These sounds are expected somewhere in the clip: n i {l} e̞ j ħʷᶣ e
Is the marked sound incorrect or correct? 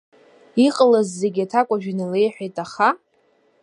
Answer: correct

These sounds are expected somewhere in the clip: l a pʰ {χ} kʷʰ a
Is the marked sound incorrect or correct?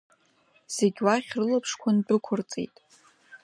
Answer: incorrect: ʂ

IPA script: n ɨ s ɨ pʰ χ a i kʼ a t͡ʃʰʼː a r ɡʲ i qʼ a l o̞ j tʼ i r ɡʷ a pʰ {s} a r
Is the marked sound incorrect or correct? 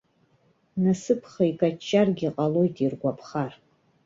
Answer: incorrect: χ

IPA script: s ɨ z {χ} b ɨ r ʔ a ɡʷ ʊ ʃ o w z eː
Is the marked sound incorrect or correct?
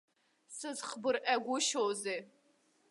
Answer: correct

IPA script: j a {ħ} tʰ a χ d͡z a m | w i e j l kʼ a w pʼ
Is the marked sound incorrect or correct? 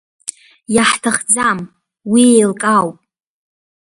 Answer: correct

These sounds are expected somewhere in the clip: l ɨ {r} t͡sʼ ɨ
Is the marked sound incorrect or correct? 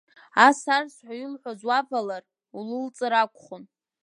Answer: incorrect: l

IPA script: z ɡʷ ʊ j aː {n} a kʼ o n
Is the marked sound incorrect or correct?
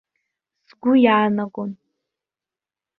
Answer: correct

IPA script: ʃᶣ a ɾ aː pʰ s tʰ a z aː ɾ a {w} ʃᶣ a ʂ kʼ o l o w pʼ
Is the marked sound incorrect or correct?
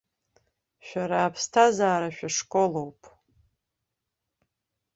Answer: incorrect: none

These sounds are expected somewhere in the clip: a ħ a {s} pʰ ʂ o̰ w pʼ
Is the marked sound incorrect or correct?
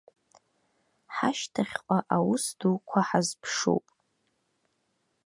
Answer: incorrect: z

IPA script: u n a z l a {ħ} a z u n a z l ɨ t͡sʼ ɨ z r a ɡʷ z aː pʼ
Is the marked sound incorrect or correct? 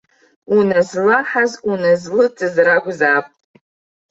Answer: correct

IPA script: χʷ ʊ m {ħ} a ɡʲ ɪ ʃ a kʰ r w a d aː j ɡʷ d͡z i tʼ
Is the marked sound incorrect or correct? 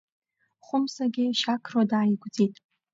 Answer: incorrect: s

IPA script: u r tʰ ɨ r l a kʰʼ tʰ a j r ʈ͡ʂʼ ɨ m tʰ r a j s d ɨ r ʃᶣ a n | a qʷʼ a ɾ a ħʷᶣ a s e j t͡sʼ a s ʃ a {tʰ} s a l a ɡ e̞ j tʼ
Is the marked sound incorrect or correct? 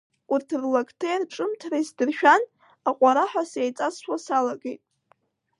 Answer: incorrect: none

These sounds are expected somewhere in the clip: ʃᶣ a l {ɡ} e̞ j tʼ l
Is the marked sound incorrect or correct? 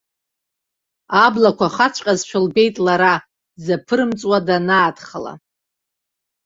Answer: incorrect: b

